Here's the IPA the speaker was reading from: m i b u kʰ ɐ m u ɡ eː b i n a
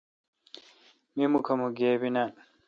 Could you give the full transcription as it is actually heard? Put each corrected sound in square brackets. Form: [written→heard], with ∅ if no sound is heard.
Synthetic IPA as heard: m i [b→m] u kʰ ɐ m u ɡ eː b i n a

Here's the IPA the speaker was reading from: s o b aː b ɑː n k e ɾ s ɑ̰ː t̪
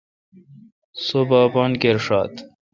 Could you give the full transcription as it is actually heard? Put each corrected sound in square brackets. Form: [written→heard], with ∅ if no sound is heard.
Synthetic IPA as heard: s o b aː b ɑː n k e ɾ [s→ʂ] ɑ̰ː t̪

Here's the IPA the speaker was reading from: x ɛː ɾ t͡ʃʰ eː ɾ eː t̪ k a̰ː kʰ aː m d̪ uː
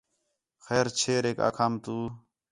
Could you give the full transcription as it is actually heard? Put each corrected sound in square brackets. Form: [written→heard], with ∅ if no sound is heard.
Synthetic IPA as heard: x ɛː ɾ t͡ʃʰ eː ɾ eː [t̪→∅] k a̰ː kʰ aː m [d̪→t̪] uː

